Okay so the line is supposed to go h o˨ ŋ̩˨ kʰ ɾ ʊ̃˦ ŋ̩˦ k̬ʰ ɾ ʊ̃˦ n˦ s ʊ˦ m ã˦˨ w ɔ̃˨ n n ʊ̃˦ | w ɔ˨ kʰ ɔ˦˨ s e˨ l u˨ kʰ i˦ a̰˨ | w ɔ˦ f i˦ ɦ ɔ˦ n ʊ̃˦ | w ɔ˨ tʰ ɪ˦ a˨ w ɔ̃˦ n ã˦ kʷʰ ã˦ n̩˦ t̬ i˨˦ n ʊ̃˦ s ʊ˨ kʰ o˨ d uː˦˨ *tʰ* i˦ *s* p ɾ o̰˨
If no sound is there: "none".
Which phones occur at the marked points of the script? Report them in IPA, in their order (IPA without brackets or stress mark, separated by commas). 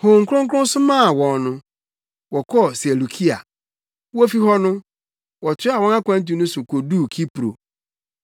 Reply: kʰ, none